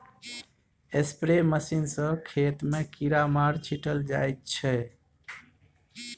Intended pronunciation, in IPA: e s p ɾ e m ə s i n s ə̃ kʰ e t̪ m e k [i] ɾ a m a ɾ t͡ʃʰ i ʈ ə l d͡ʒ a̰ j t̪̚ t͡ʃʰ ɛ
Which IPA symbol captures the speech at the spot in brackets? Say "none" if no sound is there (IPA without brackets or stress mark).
i